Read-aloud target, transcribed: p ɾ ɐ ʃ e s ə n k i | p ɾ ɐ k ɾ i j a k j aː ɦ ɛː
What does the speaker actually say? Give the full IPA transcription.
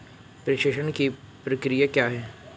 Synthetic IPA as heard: p ɾ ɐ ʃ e ʃ ə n k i | p ɾ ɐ k ɾ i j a k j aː ɦ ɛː